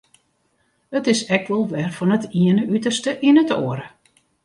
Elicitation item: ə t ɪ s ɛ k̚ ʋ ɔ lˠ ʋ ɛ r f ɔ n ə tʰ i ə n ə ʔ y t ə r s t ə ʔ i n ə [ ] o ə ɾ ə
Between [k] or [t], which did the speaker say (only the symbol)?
t